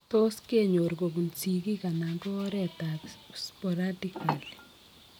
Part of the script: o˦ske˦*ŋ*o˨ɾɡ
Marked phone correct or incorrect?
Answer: incorrect